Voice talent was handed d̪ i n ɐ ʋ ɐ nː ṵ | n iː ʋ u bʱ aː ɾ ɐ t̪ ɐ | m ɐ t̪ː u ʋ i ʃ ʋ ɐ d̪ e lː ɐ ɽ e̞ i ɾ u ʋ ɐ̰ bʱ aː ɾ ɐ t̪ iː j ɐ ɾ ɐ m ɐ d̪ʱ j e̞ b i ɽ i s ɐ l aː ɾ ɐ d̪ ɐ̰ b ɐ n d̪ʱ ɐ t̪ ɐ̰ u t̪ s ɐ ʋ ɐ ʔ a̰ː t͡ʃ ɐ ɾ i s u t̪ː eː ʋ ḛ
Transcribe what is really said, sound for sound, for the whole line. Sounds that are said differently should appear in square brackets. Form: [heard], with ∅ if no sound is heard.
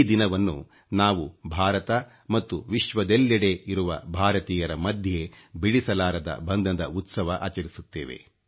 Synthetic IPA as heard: d̪ i n ɐ ʋ ɐ nː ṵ | n [aː] ʋ u bʱ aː ɾ ɐ t̪ ɐ | m ɐ t̪ː u ʋ i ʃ ʋ ɐ d̪ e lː ɐ ɽ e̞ i ɾ u ʋ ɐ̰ bʱ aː ɾ ɐ t̪ iː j ɐ ɾ ɐ m ɐ d̪ʱ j e̞ b i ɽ i s ɐ l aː ɾ ɐ d̪ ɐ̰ b ɐ n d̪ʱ ɐ [d̪] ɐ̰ u t̪ s ɐ ʋ ɐ ʔ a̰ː t͡ʃ ɐ ɾ i s u t̪ː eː ʋ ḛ